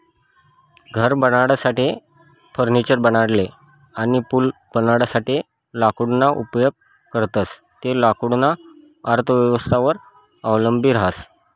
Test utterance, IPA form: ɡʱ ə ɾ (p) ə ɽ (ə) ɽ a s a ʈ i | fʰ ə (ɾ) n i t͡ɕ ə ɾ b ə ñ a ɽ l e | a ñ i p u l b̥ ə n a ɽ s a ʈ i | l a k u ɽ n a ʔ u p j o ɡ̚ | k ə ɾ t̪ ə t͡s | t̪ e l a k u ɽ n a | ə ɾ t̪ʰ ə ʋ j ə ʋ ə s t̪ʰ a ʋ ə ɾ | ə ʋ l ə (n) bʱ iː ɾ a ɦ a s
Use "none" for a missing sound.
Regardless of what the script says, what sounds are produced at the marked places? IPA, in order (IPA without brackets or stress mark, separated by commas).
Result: b, a, ɾ, m